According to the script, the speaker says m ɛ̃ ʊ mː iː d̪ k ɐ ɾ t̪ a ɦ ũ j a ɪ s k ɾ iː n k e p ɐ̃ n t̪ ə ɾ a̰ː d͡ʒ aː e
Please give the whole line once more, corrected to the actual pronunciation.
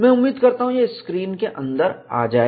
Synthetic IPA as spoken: m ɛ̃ ʊ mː iː d̪ k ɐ ɾ t̪ a ɦ ũ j e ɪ s k ɾ iː n k e ʔ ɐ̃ n d̪ ə ɾ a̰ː d͡ʒ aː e

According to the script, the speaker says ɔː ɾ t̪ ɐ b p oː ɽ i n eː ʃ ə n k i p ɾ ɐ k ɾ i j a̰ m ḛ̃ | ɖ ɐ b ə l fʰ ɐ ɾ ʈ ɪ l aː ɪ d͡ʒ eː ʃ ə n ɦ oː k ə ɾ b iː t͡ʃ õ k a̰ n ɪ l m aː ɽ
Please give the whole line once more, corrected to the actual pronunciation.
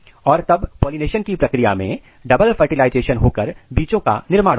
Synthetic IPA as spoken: ɔː ɾ t̪ ɐ b p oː l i n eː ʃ ə n k i p ɾ ɐ k ɾ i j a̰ m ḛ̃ | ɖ ɐ b ə l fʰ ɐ ɾ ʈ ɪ l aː ɪ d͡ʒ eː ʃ ə n ɦ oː k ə ɾ b iː t͡ʃ õ k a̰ n ɪ ɾ m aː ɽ

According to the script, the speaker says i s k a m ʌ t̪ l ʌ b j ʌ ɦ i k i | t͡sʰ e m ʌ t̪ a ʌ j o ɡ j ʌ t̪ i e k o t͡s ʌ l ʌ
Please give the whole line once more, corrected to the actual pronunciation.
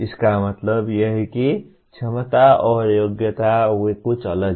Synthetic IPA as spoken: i s k a m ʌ t̪ l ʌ b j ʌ ɦ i k i | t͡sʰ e m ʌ t̪ a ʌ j o ɡ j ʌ t̪ a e k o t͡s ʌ l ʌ

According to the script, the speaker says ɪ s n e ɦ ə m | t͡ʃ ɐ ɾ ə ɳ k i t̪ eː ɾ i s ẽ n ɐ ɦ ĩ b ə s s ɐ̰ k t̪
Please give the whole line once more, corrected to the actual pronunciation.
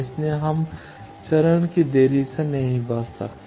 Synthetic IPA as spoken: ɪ s n e ɦ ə m | t͡ʃ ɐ ɾ ə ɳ k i d̪ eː ɾ i s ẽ n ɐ ɦ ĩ b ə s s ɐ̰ k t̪

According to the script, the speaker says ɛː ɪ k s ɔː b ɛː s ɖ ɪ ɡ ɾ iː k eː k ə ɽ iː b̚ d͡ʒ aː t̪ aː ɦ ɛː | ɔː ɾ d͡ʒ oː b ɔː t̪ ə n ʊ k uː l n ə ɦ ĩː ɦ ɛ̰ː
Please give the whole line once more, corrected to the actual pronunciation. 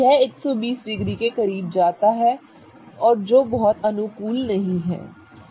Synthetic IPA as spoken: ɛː ɪ k s ɔː b iː s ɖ ɪ ɡ ɾ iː k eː k ə ɾ iː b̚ d͡ʒ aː t̪ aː ɦ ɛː | ɔː ɾ d͡ʒ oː b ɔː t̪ ə n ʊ k uː l n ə ɦ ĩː ɦ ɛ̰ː

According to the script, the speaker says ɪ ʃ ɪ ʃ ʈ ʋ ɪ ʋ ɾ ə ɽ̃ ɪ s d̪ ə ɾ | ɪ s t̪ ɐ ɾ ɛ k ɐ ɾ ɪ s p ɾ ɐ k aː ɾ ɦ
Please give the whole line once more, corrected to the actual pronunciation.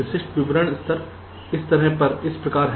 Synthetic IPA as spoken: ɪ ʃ ɪ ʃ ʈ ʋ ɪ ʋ ɾ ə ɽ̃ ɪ s t̪ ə ɾ | ɪ s t̪ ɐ ɾ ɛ p ɐ ɾ ɪ s p ɾ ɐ k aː ɾ ɦ

